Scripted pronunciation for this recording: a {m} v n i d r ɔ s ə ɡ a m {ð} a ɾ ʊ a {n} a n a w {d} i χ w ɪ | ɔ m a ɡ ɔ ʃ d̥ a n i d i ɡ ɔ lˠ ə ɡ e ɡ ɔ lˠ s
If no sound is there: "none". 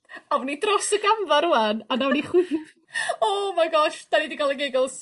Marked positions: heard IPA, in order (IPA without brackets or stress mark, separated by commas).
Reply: none, v, n, n